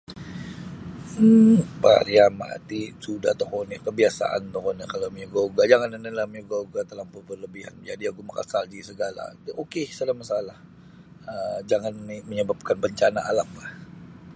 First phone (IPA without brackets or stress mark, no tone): p